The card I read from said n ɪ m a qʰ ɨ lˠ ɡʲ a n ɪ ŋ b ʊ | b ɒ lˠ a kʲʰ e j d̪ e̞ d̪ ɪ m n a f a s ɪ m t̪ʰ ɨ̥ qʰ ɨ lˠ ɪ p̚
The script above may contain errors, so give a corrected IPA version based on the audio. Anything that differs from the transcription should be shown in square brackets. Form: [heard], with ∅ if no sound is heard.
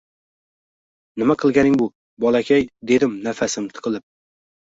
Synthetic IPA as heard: n ɪ m a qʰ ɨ lˠ ɡʲ a n ɪ ŋ b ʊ | b ɒ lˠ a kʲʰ [a] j d̪ e̞ d̪ ɪ m n a f a s ɪ m t̪ʰ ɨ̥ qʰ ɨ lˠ ɪ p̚